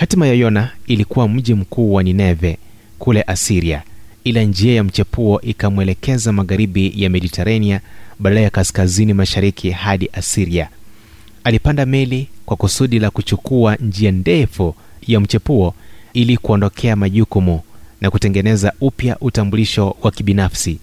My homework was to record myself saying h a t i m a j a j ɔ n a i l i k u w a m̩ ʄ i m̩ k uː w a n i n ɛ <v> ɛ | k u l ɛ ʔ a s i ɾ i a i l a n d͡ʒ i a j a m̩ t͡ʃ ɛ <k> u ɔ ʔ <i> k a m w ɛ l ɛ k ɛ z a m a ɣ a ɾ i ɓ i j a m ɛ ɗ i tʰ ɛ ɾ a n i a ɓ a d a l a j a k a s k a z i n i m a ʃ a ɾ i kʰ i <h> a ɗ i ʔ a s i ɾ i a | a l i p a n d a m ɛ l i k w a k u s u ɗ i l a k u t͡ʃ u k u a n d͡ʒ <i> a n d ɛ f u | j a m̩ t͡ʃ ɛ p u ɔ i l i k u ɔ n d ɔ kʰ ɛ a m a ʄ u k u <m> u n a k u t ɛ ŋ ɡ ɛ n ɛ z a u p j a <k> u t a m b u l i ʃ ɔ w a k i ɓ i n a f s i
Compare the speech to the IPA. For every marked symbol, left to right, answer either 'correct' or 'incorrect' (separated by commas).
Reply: correct, incorrect, correct, correct, correct, correct, incorrect